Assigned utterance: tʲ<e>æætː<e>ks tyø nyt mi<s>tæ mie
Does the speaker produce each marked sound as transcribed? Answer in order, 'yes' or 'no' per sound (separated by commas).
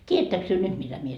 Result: no, no, no